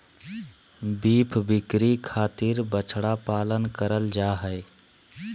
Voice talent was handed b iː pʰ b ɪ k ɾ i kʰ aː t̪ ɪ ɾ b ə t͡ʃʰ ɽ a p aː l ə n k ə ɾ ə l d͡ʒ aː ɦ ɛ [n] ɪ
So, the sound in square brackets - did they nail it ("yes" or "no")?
no